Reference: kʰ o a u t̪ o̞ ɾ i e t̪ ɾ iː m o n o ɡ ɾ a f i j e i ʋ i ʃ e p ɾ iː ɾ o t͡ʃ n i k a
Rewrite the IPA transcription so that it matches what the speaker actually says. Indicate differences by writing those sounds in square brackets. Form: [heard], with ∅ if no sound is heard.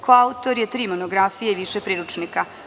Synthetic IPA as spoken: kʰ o a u t̪ o̞ ɾ [j] e t̪ ɾ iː m o n o ɡ ɾ a f i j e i ʋ i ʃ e p ɾ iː ɾ [u] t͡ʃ n i k a